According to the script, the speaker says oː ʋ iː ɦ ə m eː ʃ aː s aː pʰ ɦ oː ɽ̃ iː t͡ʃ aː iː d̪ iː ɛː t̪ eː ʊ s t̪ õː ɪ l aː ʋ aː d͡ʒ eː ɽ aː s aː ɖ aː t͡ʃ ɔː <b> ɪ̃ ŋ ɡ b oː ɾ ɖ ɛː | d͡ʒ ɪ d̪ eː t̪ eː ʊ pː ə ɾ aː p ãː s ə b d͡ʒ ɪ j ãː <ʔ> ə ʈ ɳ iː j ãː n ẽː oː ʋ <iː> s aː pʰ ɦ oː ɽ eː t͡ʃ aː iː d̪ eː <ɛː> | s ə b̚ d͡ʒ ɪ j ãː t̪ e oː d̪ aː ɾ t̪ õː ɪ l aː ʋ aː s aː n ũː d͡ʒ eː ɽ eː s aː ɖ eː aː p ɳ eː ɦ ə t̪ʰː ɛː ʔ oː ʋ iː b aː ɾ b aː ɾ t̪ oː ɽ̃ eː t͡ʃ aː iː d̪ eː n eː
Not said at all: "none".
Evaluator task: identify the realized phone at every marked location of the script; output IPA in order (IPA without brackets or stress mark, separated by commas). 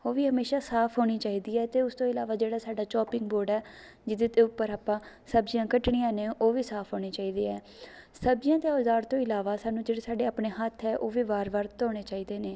p, k, iː, ɛː